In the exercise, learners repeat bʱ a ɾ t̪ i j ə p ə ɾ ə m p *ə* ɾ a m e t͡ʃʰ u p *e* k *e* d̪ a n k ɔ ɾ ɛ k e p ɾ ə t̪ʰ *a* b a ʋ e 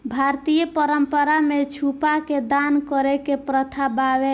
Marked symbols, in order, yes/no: yes, no, yes, yes

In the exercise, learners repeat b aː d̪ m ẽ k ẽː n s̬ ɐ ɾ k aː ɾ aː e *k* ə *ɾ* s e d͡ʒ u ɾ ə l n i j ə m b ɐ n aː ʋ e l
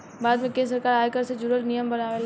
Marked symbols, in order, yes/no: yes, yes

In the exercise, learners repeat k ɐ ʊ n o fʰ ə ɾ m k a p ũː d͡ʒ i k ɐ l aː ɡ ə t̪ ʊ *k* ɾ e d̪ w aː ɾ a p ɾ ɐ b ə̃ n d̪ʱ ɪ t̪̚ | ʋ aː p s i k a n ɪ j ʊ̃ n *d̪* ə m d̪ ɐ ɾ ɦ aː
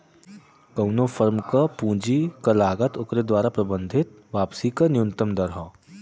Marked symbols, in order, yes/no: yes, no

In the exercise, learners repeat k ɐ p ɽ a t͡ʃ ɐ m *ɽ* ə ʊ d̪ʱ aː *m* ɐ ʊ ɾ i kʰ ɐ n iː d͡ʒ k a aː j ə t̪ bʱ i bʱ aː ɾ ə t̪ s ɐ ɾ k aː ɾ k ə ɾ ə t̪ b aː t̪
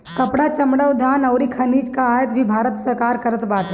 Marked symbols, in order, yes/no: yes, no

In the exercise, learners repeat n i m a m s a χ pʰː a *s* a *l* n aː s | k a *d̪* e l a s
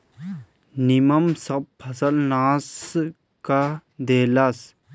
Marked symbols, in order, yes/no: yes, yes, yes

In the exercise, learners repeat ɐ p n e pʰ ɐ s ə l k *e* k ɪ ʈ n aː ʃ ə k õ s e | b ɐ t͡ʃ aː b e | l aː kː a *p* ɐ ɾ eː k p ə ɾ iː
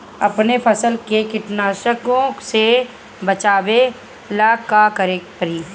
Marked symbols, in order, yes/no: yes, no

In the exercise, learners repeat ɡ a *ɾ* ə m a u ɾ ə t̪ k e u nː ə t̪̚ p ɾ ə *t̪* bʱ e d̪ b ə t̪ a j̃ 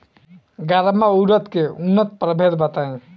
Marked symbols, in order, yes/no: yes, no

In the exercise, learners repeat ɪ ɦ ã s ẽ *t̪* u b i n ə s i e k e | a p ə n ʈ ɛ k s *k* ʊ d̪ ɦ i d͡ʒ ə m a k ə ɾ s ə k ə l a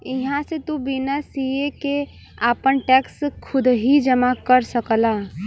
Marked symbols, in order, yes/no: yes, no

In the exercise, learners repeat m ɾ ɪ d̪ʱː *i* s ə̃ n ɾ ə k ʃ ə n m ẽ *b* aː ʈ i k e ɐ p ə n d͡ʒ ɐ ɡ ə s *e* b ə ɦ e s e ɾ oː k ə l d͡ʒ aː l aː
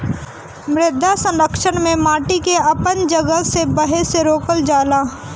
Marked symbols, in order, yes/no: no, no, yes

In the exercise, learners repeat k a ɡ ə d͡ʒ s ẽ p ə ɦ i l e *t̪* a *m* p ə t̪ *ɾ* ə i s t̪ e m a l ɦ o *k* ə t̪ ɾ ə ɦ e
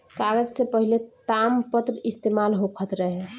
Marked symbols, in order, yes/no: yes, yes, yes, no

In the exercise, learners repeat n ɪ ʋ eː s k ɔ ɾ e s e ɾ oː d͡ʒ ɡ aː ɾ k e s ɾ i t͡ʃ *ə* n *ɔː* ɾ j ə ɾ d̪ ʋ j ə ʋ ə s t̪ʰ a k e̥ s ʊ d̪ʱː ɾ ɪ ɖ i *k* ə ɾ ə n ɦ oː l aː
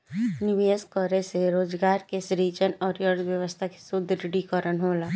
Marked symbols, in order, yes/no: yes, yes, yes

